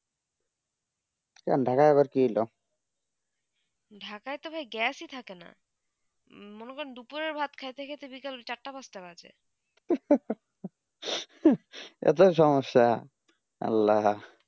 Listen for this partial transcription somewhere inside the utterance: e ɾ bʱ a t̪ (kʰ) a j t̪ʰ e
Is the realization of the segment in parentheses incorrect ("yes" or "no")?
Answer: no